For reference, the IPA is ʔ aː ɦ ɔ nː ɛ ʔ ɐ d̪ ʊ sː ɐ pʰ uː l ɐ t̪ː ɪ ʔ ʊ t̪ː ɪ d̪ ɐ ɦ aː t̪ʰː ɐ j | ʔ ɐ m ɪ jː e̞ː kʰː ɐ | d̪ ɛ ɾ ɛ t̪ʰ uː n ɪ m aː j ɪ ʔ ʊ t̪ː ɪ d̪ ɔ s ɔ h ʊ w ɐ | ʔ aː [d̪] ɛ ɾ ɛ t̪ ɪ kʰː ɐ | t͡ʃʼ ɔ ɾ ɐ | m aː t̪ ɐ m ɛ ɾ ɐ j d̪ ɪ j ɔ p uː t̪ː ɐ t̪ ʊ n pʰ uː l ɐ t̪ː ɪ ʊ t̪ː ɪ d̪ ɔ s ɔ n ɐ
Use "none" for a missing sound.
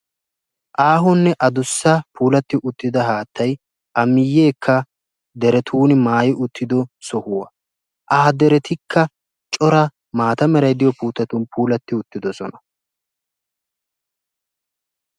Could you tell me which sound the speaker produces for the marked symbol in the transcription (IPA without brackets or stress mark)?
d̪